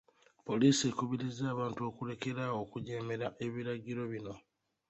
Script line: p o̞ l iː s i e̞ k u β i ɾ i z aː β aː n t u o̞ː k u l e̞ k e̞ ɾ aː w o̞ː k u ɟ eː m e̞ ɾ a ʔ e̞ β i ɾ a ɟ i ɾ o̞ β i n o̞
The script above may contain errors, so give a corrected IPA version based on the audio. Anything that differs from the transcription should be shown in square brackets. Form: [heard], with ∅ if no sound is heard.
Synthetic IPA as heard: p o̞ l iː s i e̞ k u β i ɾ i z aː β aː n t u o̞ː k u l e̞ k e̞ ɾ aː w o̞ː k u ɟ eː m e̞ ɾ a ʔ e̞ β i ɾ a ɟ i ɾ o̞ β i n o̞